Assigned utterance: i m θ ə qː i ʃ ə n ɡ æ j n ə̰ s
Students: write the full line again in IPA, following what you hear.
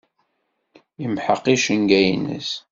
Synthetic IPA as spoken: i m ħ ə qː i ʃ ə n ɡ æ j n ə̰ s